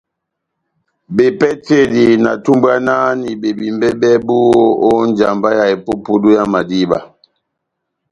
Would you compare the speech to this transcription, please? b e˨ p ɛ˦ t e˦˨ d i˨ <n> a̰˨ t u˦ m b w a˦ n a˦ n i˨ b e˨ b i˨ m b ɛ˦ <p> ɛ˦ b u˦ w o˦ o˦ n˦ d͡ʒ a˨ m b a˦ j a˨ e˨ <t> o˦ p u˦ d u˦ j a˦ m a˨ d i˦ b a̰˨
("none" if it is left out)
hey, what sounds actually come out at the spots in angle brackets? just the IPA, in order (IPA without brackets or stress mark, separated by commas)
n, b, p